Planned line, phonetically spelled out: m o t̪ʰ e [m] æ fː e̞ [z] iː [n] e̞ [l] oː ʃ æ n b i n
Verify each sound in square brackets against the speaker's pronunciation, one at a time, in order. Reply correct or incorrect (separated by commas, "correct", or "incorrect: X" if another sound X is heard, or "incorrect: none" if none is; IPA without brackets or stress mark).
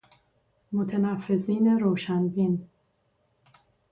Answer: incorrect: n, correct, correct, incorrect: ɾ